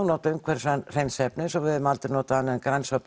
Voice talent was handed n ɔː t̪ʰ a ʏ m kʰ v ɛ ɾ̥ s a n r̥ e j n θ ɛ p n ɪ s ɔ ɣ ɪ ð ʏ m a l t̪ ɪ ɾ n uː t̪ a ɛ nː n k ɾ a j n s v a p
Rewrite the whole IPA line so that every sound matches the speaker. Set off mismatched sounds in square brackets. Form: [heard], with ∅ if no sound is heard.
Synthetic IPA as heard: n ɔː [t̪] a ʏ m kʰ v ɛ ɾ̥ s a n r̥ e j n [s] ɛ p n ɪ s ɔ [v] ɪ ð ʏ m a l t̪ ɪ ɾ n [ɔː] t̪ a [a] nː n k ɾ a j n s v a p